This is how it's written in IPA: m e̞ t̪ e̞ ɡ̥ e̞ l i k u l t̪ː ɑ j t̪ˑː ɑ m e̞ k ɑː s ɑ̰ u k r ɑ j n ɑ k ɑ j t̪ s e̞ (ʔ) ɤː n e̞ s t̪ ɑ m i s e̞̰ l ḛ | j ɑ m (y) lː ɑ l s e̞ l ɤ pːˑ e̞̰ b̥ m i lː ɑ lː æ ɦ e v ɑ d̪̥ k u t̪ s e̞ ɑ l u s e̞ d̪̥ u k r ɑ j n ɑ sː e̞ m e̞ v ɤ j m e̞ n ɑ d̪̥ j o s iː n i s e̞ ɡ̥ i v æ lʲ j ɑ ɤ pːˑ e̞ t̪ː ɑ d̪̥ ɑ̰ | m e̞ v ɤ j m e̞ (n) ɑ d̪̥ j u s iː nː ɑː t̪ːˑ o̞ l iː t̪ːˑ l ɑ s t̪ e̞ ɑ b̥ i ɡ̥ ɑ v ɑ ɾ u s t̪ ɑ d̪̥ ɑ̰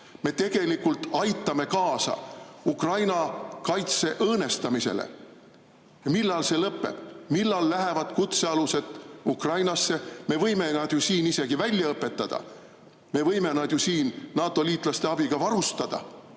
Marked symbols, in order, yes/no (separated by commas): yes, no, yes